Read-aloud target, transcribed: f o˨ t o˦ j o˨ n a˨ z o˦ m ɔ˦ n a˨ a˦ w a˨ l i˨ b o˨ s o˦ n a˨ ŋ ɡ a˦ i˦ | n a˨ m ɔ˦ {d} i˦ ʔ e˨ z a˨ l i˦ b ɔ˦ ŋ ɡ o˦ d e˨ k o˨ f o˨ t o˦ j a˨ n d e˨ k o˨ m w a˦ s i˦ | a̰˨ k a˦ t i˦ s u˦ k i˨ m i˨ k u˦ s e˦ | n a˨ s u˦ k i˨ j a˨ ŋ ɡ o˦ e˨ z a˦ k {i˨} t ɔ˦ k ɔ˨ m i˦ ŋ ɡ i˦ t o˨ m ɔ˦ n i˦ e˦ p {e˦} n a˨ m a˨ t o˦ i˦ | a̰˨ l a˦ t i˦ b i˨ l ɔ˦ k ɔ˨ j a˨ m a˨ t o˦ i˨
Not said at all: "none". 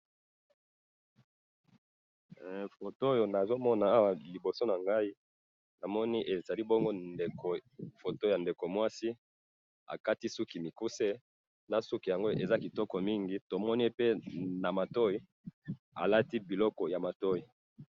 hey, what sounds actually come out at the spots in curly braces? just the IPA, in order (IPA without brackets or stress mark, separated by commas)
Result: n, i˨, e˦